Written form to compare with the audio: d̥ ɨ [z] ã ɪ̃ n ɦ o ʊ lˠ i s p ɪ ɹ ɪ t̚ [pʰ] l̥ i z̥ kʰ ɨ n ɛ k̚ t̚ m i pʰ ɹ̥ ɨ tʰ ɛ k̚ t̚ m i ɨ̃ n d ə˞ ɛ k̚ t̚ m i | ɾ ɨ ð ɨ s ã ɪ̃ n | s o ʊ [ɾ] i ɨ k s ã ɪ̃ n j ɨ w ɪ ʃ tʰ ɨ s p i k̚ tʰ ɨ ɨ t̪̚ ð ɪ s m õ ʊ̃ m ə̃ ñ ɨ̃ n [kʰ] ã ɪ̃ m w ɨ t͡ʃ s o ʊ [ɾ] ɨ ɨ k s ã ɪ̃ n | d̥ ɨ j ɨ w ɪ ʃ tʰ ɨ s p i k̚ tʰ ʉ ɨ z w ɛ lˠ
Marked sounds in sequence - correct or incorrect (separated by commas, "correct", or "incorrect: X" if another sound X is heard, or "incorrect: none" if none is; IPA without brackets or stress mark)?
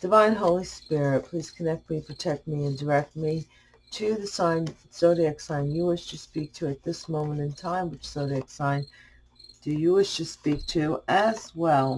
incorrect: v, correct, correct, incorrect: tʰ, correct